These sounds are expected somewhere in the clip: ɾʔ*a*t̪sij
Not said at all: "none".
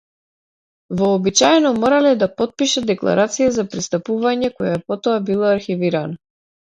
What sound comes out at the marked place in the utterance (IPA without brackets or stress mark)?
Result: a